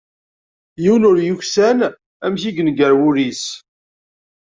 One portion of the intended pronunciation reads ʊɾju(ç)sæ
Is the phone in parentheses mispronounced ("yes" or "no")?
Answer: no